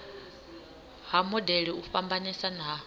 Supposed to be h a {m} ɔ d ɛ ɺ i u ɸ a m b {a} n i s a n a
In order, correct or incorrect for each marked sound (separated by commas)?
correct, correct